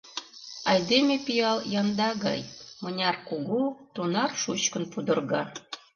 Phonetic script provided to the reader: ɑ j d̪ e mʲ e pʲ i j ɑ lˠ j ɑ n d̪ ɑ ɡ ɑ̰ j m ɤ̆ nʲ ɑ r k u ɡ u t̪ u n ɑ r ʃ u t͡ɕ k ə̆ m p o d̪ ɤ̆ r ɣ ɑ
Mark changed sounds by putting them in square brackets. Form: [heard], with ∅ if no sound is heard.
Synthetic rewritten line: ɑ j d̪ e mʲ e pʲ i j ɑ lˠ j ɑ n d̪ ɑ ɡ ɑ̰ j m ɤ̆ nʲ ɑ r k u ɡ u t̪ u n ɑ r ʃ u t͡ɕ k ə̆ [n] p [u] d̪ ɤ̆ r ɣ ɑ

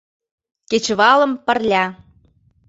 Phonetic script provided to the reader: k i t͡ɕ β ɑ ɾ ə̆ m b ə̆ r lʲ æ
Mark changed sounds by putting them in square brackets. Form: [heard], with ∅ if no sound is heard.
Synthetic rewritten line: k [e] t͡ɕ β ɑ [l] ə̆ m [p] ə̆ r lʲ æ

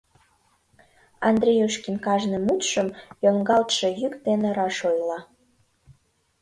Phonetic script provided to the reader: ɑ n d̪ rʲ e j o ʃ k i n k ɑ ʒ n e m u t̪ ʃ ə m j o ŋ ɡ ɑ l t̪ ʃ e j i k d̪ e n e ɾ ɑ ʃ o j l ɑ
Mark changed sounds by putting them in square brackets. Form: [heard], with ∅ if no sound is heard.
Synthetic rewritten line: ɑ n d̪ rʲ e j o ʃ k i n k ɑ ʒ n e m u t̪ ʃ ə m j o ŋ ɡ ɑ l t̪ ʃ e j [y] k d̪ e n e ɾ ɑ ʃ o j l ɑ

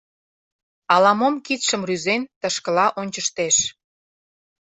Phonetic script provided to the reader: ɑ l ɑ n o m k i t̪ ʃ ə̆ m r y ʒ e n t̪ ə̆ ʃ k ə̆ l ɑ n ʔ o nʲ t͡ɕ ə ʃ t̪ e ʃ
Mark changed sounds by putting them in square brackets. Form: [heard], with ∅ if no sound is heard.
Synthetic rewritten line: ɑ l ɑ [m] o m k i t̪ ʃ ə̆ m r y [z] e n t̪ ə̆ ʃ k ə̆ l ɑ [∅] ʔ o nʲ t͡ɕ ə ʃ t̪ e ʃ

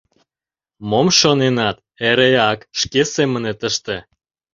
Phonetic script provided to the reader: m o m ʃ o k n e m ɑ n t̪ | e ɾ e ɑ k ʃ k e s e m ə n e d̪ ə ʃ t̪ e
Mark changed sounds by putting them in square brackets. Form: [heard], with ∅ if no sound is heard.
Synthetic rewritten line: m o m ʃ o [∅] n e [n] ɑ [∅] t̪ | e ɾ e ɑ k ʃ k e s e m ə n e [t̪] ə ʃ t̪ e

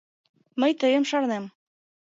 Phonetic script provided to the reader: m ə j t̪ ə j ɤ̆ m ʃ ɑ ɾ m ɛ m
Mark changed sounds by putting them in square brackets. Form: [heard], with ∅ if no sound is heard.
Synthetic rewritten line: m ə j t̪ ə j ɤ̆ m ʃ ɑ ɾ [n] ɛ m

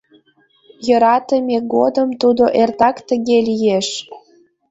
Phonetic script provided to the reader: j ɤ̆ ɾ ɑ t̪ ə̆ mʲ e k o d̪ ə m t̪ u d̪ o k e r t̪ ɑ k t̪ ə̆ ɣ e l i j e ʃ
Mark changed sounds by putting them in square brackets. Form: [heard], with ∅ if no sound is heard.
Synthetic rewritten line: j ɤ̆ ɾ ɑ t̪ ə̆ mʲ e [ɡ] o d̪ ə m t̪ u d̪ o [ʔ] e r t̪ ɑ k t̪ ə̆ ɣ e l i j e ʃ

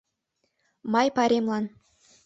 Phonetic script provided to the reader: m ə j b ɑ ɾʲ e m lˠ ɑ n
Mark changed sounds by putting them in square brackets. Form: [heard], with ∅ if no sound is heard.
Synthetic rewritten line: m [ɑ] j [p] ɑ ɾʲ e m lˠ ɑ n

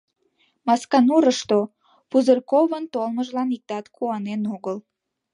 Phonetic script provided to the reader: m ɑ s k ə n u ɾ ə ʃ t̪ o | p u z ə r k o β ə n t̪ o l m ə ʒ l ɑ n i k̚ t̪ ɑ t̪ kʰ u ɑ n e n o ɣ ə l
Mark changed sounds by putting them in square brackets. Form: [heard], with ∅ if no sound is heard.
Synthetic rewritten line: m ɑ s k [ɑ] n u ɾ ə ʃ t̪ o | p u z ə r k o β ə n t̪ o l m ə ʒ l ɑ n i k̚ t̪ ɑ t̪ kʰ u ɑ n e n o ɣ ə l

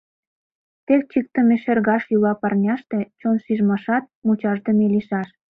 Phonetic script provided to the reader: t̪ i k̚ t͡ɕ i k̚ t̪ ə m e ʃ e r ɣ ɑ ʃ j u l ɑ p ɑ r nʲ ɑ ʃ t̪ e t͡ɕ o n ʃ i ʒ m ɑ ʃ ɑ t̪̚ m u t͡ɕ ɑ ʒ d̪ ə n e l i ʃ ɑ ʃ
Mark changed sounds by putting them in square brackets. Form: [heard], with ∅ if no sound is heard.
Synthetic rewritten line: t̪ [e] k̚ t͡ɕ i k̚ t̪ ə m e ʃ e r ɣ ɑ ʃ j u l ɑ p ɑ r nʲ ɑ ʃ t̪ e t͡ɕ o n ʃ i ʒ m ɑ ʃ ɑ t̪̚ m u t͡ɕ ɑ ʒ d̪ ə [m] e l i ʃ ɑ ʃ

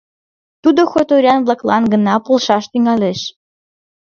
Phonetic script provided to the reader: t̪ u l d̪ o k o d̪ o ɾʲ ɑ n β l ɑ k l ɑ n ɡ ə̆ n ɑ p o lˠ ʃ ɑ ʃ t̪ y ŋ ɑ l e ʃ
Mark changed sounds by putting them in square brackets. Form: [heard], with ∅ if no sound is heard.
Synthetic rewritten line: t̪ u [∅] d̪ o [x] o [t̪] o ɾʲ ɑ n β l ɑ k l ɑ n ɡ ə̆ n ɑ p o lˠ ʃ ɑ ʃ t̪ y ŋ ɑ l e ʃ

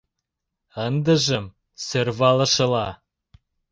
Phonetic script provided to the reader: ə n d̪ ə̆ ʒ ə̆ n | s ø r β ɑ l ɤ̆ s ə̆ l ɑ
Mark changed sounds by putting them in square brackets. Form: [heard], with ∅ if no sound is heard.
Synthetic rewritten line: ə n d̪ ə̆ ʒ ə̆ [m] | s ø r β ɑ l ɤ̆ [ʃ] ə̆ l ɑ

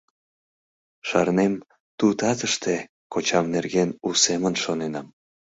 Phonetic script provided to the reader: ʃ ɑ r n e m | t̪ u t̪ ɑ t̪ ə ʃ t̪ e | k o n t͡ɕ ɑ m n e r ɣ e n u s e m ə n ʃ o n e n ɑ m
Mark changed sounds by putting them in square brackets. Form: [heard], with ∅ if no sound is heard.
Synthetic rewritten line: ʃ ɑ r n e m | t̪ u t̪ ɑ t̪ ə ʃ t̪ e | k o [∅] t͡ɕ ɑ m n e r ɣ e n u s e m ə n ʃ o n e n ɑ m

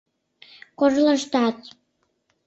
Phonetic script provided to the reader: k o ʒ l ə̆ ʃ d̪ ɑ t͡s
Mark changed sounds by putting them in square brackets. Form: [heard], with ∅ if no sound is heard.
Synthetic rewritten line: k o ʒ l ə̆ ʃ [t̪] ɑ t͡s

